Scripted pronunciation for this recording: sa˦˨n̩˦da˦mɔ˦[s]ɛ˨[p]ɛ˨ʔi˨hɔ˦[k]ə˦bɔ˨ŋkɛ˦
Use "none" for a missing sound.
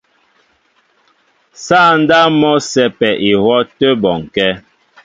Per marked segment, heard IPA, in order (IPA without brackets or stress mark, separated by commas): s, p, t